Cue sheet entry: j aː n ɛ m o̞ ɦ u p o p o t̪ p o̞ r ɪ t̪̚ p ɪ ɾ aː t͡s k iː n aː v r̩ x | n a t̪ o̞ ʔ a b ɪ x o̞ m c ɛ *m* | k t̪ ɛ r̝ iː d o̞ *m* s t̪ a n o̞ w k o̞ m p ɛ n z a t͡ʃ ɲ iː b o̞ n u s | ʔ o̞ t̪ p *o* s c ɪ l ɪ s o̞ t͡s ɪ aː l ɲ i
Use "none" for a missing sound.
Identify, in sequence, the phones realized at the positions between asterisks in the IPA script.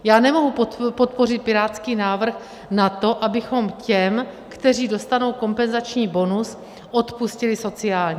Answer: m, none, u

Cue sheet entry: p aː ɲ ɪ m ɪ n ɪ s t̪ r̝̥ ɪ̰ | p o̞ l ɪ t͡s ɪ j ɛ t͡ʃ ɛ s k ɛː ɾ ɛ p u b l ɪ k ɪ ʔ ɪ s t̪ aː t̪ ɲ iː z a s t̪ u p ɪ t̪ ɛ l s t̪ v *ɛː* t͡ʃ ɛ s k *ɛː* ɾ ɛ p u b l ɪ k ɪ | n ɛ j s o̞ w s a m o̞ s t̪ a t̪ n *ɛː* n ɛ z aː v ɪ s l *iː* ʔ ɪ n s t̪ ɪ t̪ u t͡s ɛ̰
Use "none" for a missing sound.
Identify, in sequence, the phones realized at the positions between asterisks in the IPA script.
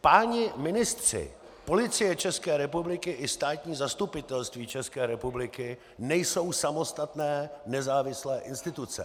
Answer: iː, ɛː, ɛː, ɛː

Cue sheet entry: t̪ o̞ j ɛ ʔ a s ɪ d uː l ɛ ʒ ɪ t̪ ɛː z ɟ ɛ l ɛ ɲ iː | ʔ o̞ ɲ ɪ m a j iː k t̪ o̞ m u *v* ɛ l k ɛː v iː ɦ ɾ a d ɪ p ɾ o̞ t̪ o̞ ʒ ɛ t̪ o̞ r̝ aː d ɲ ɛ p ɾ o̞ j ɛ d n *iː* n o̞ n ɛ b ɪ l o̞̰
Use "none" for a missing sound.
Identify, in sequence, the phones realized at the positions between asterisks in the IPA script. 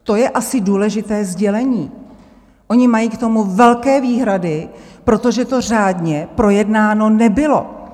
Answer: v, aː

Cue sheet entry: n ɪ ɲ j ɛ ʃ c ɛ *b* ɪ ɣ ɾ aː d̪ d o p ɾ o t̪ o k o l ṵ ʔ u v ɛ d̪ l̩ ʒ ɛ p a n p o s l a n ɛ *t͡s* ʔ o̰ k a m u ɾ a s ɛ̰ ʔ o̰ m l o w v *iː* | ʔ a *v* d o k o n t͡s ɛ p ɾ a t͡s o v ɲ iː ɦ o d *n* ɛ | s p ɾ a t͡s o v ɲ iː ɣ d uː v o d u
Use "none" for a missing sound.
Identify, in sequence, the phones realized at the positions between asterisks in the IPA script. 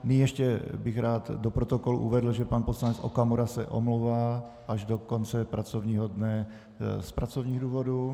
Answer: b, t͡s, aː, ʒ, n

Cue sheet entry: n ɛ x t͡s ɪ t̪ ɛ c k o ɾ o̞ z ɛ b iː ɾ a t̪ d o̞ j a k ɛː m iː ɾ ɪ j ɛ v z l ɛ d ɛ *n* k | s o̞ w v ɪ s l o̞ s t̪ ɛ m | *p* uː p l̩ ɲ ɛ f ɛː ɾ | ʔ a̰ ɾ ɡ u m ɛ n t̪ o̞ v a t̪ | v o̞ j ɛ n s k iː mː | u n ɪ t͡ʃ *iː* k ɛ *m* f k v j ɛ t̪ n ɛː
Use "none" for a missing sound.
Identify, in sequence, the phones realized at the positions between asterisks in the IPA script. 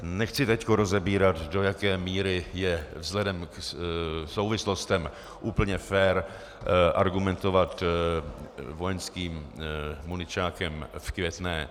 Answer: m, ʔ, aː, m

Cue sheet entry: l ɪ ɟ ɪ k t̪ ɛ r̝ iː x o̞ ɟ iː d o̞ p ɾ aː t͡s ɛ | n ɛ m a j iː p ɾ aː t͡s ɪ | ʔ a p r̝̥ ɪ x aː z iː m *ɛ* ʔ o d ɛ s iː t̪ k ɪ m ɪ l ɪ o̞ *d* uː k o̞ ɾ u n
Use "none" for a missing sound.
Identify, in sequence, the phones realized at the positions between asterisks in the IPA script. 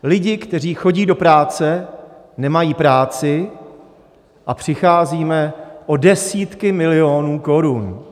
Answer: ɛ, n

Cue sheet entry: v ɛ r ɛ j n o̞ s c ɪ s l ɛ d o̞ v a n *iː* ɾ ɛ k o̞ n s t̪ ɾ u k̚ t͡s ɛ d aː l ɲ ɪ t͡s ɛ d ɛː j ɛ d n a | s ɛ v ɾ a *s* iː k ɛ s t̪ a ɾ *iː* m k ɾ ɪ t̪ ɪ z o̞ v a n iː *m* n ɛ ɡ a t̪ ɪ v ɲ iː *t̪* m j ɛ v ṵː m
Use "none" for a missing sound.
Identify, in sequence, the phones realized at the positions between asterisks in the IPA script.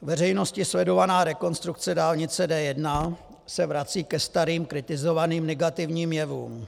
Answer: aː, t͡s, iː, m, none

